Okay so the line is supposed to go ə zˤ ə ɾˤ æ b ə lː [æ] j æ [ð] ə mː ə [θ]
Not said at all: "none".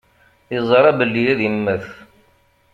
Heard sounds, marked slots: i, ð, θ

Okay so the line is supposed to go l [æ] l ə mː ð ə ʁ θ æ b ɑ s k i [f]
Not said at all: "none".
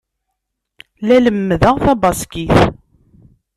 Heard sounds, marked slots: æ, θ

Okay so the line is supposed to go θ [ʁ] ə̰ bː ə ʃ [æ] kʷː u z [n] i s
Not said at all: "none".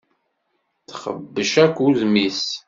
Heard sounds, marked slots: χ, æ, m

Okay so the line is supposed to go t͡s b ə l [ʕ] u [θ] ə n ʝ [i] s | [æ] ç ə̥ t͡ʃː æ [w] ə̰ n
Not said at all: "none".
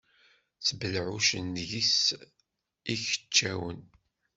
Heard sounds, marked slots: ʕ, ʃ, i, i, w

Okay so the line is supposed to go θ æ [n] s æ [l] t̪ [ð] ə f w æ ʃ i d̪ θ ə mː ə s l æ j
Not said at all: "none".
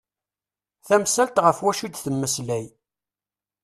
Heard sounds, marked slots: m, l, ʁ

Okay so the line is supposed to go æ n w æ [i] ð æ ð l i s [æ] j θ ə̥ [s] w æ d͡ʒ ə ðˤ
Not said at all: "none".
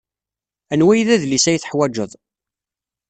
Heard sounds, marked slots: j, æ, ħ

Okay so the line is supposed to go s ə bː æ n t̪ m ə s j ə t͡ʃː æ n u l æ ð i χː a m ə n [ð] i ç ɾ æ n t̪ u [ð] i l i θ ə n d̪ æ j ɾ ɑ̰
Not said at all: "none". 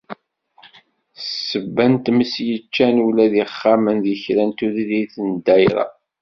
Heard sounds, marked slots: ð, ð

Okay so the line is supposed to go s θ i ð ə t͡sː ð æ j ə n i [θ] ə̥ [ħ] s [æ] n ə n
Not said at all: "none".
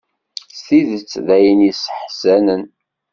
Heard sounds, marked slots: s, ħ, æ

